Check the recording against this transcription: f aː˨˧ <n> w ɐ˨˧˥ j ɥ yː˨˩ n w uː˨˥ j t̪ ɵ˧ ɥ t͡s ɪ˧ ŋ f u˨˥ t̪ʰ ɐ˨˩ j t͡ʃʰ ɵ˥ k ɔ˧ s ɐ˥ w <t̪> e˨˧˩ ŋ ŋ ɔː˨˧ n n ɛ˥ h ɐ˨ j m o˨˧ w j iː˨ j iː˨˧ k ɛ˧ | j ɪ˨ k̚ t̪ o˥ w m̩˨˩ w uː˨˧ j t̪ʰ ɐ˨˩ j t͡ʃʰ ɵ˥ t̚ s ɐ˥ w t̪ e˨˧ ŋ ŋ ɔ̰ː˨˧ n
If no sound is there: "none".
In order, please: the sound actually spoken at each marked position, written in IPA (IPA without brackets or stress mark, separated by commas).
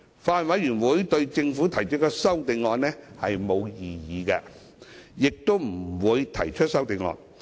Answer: n, t̪